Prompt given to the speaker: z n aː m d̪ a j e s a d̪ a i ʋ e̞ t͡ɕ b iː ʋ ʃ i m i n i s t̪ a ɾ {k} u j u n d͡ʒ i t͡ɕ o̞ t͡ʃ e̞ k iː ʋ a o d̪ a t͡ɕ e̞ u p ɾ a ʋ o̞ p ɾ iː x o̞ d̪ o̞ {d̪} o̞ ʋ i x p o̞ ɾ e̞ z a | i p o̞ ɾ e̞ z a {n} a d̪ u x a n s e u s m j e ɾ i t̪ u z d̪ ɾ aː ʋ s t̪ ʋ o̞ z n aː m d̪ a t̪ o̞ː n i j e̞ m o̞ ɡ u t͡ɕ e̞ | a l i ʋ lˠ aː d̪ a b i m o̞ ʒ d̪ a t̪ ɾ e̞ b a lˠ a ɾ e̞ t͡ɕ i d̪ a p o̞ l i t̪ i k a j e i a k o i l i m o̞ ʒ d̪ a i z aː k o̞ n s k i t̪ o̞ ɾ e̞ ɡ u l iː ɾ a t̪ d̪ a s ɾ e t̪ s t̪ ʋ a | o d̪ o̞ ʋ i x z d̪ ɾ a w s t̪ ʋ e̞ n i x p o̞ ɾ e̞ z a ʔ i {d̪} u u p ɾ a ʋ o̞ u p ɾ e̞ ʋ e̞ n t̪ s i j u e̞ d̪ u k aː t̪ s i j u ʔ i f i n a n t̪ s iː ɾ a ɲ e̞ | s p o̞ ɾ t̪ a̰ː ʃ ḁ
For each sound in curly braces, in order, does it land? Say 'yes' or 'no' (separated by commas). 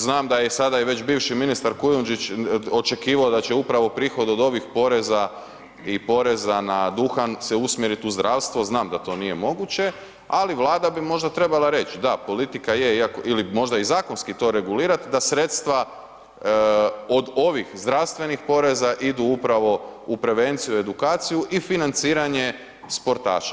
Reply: yes, yes, yes, yes